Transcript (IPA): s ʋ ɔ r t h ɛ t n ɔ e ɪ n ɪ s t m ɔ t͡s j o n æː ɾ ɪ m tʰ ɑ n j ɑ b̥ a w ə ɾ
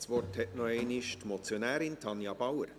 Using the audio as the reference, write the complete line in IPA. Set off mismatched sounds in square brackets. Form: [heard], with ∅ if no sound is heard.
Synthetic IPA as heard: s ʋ ɔ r t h ɛ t n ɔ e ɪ n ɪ [ʃ] t m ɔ t͡s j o n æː ɾ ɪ [n] tʰ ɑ n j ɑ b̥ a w ə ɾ